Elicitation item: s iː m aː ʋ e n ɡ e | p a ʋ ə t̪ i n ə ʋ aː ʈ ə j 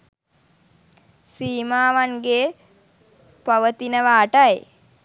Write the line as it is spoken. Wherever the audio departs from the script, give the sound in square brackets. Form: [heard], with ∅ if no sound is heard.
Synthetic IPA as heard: s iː m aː ʋ [a] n ɡ e | p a ʋ ə t̪ i n ə ʋ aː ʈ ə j